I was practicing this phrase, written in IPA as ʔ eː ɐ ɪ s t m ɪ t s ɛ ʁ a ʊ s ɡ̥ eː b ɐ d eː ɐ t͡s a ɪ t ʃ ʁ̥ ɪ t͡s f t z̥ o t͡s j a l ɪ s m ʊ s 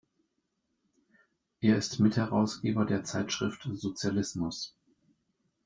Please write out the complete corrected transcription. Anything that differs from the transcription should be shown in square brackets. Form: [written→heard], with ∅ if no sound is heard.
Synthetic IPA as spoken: ʔ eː ɐ ɪ s t m ɪ t [s→h] ɛ ʁ a ʊ s ɡ̥ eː b ɐ d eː ɐ t͡s a ɪ t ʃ ʁ̥ ɪ [t͡s→∅] f t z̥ o t͡s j a l ɪ s m ʊ s